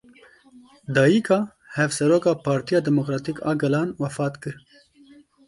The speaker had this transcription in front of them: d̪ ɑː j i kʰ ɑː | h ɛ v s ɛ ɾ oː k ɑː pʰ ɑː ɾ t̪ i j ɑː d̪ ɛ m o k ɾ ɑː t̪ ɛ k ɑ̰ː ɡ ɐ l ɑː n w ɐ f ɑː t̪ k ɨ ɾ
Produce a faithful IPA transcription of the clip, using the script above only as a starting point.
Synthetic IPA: d̪ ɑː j i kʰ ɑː | h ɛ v s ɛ ɾ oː k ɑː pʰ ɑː ɾ t̪ i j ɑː d̪ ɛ m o k ɾ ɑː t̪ i k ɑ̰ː ɡ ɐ l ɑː n w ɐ f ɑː t̪ k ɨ ɾ